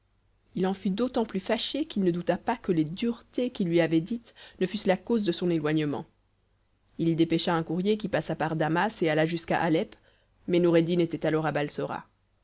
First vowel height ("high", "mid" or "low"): high